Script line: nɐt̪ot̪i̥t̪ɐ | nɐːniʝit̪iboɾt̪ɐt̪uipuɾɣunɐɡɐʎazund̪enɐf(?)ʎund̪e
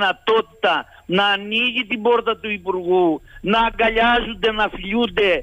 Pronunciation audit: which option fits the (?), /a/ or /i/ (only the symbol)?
i